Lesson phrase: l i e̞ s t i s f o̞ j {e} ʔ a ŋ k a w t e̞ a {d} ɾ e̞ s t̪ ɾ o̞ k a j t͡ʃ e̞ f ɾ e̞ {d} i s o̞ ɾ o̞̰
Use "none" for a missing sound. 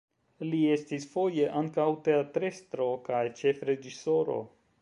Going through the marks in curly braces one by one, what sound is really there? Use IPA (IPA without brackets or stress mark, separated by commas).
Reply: e, t, d͡ʒ